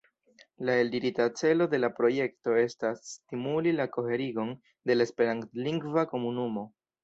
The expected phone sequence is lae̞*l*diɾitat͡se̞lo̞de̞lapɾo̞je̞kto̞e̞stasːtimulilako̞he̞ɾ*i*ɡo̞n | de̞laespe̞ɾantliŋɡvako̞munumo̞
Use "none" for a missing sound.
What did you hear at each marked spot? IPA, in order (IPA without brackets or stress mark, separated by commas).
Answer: l, i